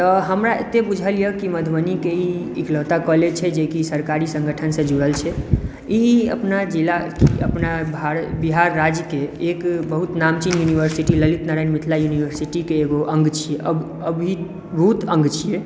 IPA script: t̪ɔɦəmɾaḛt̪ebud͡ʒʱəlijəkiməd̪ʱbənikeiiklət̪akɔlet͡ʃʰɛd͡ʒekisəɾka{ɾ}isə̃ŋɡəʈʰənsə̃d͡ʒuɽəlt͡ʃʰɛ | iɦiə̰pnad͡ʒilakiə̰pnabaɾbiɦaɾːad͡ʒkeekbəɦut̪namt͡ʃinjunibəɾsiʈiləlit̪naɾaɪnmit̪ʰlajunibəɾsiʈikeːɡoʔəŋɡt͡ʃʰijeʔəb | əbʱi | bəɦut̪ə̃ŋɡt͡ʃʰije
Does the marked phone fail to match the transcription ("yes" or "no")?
no